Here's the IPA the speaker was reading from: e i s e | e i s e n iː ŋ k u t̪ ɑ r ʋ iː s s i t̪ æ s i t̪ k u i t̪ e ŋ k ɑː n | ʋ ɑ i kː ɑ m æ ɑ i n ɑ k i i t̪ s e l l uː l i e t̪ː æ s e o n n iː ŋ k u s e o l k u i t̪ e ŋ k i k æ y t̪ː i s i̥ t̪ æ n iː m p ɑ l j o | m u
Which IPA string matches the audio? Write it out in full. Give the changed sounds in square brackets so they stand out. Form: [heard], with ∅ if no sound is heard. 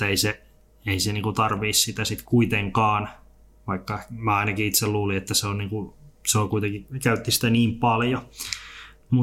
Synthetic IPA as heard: e i s e | e i s e n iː ŋ k u t̪ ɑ r ʋ iː s s i t̪ æ s i t̪ k u i t̪ e ŋ k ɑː n | ʋ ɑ i kː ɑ m æ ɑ i n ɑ k i i t̪ s e l l uː l i e t̪ː æ s e o n n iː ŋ k u s e o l k u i t̪ e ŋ k i k æ y t̪ː i s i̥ t̪ æ n iː m p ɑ l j o | m u